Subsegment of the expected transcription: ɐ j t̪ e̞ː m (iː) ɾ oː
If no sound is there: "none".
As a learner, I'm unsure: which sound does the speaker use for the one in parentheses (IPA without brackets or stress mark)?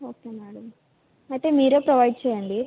iː